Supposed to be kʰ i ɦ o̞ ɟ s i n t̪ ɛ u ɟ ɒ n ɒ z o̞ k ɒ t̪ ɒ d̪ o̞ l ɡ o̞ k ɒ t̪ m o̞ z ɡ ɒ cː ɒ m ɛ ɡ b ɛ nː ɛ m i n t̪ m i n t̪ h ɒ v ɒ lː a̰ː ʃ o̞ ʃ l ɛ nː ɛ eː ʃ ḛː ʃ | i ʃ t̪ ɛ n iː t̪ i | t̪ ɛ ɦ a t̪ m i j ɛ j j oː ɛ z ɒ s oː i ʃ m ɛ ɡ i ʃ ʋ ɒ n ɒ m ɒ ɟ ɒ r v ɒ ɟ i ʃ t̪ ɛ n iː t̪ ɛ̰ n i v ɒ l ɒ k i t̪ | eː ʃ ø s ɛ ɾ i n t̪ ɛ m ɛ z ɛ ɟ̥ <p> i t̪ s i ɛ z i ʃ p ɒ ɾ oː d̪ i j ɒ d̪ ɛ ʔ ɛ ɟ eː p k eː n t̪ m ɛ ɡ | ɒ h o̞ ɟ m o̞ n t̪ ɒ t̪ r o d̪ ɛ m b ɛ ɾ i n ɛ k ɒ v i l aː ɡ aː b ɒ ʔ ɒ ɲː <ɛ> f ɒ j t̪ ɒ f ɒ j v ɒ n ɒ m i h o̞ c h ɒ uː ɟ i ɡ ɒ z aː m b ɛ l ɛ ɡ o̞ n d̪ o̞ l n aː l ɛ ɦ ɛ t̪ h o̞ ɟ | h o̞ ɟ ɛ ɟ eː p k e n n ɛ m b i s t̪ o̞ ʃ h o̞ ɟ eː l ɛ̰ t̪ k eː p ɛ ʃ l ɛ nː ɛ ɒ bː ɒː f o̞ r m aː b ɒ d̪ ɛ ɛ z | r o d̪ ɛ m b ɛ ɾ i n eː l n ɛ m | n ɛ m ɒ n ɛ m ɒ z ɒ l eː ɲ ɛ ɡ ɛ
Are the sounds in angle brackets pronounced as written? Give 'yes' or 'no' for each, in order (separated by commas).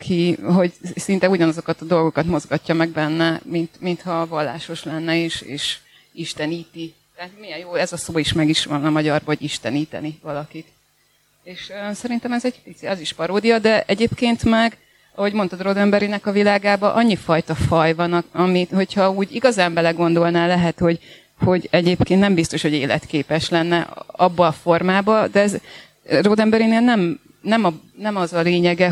yes, no